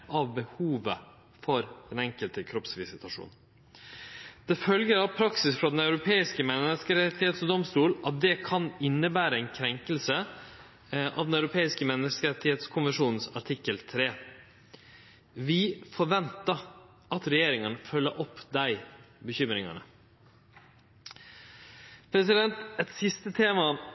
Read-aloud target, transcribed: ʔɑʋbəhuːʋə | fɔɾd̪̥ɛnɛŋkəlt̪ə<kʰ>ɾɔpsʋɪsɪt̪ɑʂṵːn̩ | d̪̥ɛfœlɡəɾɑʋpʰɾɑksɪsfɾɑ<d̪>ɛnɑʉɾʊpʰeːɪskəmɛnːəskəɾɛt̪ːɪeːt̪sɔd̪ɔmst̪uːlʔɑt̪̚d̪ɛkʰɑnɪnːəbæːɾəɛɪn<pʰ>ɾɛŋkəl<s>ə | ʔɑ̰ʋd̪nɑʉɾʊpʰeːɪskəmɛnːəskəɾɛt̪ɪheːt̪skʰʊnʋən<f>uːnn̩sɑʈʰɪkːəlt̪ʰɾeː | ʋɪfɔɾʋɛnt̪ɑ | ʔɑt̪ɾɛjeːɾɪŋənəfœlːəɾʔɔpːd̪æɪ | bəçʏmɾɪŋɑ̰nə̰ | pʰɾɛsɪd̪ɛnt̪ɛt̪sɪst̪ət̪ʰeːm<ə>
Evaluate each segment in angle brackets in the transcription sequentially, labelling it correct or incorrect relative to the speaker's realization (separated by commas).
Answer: correct, correct, incorrect, correct, incorrect, incorrect